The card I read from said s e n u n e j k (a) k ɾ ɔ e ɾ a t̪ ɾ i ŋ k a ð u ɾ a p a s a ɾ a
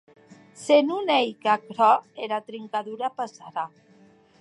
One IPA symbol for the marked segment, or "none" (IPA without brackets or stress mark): a